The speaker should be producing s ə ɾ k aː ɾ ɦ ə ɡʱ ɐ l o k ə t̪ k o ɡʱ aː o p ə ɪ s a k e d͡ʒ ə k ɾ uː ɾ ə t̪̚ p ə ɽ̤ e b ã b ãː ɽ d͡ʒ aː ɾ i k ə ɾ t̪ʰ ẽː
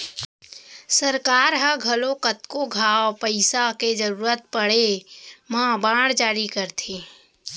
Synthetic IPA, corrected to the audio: s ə ɾ k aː ɾ ɦ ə ɡʱ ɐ l o k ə t̪ k o ɡʱ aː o p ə ɪ s a k e d͡ʒ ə ɾ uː ɾ ə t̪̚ p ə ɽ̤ e m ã b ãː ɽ d͡ʒ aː ɾ i k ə ɾ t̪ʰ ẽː